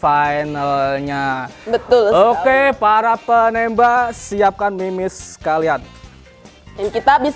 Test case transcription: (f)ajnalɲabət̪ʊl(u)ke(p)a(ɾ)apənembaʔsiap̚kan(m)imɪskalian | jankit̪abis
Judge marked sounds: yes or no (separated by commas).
yes, no, yes, yes, yes